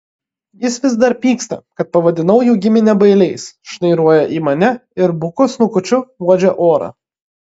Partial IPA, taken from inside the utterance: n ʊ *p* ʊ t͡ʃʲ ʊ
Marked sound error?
yes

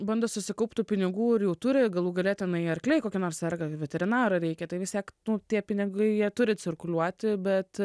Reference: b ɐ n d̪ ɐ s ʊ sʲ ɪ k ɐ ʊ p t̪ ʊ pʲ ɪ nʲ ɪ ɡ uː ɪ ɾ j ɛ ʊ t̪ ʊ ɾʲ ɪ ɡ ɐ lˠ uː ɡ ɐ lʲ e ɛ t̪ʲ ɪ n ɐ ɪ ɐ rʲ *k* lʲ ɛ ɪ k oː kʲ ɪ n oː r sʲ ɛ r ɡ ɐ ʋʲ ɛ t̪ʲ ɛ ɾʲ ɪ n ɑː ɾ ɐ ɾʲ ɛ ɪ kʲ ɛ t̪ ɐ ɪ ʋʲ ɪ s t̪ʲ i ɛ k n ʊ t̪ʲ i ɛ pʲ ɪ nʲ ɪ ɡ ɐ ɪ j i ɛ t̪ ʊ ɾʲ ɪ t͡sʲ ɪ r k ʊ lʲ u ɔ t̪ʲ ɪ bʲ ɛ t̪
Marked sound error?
no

